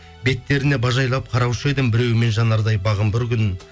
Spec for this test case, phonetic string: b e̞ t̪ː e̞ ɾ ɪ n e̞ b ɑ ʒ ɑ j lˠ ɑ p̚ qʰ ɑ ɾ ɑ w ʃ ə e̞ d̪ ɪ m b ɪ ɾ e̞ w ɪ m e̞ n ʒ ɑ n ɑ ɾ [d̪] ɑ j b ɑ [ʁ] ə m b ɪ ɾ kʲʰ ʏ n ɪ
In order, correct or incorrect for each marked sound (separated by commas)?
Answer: correct, correct